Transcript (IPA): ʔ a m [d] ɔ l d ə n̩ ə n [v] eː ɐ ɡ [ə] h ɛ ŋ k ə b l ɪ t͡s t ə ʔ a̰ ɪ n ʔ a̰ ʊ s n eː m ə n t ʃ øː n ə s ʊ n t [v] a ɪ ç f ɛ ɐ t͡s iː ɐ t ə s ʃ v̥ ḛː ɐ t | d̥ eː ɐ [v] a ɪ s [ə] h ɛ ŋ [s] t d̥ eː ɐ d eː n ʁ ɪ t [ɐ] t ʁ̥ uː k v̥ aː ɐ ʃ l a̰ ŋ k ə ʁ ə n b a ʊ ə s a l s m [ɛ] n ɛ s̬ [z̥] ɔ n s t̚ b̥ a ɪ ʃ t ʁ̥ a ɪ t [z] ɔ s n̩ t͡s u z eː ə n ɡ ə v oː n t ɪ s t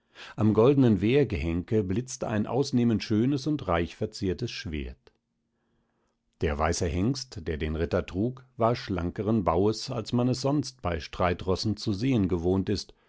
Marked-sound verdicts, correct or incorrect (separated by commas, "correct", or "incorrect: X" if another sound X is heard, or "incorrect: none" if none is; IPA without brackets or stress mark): incorrect: ɡ, correct, correct, incorrect: ʁ, correct, correct, correct, correct, incorrect: a, correct, incorrect: ʁ